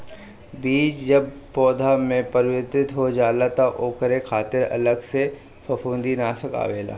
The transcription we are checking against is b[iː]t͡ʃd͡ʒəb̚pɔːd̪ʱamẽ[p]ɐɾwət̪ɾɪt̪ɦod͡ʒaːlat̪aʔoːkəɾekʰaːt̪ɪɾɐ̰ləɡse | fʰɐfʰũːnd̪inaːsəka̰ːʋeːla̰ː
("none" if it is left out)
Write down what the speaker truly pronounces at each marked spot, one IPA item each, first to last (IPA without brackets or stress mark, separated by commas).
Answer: iː, p